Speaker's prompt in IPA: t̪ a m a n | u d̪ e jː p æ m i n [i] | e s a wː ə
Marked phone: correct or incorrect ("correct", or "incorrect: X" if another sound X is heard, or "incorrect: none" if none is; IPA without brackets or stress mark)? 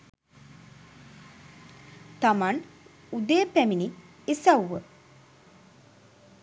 correct